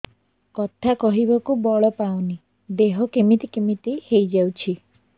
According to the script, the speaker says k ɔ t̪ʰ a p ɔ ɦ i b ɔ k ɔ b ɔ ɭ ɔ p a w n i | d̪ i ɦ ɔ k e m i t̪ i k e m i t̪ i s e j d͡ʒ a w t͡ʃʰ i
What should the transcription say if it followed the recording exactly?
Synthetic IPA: k ɔ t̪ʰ a k ɔ ɦ i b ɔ k u b ɔ ɭ ɔ p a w n i | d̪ e ɦ ɔ k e m i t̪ i k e m i t̪ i h e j d͡ʒ a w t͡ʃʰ i